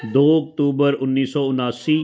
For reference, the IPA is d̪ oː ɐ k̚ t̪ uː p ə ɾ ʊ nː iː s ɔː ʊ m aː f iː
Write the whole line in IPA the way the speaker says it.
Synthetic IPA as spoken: d̪ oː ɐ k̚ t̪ uː b ə ɾ ʊ nː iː s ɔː ʊ n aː s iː